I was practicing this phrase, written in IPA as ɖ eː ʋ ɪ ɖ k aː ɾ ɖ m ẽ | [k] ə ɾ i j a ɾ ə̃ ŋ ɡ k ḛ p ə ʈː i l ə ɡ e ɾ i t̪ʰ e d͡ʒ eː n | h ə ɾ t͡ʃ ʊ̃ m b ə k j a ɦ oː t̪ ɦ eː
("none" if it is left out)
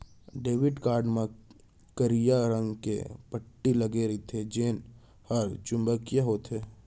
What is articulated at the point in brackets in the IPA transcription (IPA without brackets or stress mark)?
k